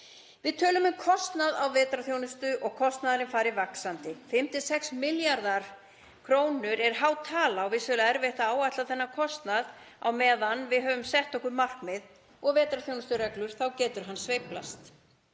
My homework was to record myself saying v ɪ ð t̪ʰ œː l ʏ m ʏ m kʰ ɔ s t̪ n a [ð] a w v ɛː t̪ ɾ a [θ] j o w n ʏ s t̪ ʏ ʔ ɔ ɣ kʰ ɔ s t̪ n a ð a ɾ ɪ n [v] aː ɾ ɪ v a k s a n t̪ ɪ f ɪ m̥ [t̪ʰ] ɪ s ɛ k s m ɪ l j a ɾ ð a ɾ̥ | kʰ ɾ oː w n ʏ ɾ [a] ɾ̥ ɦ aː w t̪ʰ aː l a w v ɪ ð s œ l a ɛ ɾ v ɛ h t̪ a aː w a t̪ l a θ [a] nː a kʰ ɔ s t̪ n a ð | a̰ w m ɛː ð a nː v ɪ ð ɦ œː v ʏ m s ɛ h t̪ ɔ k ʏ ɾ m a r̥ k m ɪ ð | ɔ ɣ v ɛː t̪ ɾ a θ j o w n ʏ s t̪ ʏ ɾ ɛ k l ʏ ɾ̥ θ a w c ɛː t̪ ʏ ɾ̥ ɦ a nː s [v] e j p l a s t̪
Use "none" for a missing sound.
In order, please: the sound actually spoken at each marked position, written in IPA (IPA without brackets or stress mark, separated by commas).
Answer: ð, θ, f, t̪, ɛ, ɛ, v